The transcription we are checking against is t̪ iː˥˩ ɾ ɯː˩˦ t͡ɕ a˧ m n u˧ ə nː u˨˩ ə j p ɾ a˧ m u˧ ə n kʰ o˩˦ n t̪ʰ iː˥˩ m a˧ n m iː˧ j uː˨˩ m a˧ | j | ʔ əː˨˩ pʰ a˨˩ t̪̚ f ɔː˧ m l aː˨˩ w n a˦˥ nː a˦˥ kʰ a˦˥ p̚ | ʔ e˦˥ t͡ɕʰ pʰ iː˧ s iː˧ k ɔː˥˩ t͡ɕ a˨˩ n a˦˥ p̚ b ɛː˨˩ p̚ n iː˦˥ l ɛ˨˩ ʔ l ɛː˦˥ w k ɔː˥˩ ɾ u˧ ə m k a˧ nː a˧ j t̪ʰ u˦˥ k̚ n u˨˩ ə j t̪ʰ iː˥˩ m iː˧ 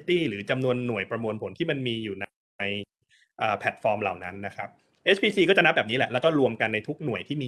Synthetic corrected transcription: t̪ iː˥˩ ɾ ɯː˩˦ t͡ɕ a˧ m n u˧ ə nː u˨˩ ə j p ɾ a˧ m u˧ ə n pʰ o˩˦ n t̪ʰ iː˥˩ m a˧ n m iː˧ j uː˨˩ n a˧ | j | ʔ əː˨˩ pʰ ɛ˨˩ t̪̚ f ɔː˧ m l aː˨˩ w n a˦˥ nː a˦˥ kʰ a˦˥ p̚ | ʔ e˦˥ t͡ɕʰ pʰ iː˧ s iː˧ k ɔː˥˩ t͡ɕ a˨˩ n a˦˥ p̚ b ɛː˨˩ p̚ n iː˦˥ l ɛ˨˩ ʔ l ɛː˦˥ w k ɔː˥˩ ɾ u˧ ə m k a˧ nː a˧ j t̪ʰ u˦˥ k̚ n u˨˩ ə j t̪ʰ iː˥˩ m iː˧